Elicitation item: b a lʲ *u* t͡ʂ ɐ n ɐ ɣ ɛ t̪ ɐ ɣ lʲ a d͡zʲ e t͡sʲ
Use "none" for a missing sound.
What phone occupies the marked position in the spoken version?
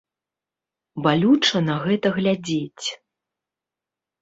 u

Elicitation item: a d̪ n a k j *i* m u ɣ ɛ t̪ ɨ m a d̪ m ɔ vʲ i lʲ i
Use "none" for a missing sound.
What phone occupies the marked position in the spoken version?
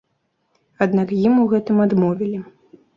i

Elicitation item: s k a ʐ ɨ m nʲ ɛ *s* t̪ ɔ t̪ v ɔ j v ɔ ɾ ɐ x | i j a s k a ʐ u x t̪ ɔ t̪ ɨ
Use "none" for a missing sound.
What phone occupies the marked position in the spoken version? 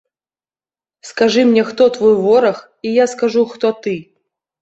x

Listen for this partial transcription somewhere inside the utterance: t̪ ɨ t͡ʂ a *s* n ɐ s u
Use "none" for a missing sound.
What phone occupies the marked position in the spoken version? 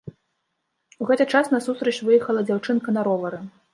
s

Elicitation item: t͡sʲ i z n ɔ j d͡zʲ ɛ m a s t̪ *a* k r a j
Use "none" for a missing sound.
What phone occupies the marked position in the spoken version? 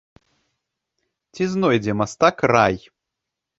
a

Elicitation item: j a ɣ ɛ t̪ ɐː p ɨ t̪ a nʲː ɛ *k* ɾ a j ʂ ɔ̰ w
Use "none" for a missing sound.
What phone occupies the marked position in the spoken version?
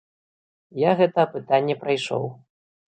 p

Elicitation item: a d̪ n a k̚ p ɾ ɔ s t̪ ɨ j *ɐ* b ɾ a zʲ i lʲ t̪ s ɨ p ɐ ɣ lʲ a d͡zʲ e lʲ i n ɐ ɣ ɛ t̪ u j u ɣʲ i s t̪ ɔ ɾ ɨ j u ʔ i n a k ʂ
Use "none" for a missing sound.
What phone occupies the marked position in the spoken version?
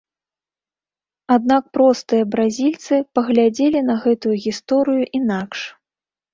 ɐ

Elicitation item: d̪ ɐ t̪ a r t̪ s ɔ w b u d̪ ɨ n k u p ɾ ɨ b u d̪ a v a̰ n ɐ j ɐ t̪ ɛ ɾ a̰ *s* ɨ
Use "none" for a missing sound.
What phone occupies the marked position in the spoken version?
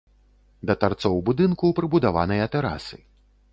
s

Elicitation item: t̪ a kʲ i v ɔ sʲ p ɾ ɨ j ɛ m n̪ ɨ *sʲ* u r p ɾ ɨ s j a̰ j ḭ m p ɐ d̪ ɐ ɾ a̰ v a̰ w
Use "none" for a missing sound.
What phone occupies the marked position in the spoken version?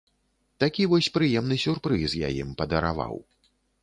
sʲ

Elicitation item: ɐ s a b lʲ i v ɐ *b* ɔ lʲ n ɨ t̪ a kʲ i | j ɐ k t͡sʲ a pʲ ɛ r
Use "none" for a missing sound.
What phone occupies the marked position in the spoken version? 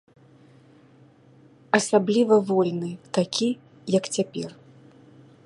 v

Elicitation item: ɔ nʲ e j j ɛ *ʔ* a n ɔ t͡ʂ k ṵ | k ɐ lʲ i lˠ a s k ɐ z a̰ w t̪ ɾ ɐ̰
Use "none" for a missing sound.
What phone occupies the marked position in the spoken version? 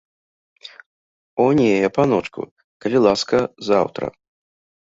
p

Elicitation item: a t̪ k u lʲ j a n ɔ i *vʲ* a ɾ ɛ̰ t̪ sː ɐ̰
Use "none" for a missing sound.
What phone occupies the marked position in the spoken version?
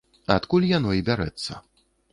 bʲ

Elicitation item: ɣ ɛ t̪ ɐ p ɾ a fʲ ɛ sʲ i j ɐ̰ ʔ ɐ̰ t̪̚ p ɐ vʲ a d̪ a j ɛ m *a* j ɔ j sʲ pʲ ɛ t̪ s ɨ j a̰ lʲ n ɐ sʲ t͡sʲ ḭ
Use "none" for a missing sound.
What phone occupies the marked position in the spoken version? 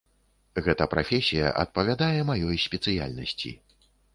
a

